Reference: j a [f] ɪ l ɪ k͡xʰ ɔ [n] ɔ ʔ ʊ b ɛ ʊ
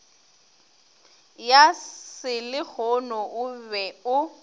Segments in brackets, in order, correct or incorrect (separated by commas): incorrect, correct